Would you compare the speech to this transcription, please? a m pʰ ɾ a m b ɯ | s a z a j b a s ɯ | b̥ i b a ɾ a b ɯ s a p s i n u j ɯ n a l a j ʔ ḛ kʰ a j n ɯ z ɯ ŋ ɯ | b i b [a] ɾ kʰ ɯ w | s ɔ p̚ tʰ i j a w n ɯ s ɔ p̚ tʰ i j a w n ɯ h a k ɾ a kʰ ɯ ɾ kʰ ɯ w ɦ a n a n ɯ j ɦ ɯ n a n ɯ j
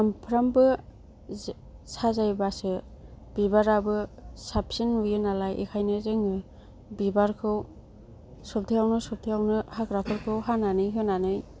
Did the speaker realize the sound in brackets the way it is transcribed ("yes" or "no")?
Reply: yes